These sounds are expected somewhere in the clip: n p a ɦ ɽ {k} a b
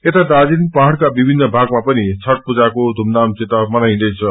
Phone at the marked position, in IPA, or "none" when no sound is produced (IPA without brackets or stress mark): k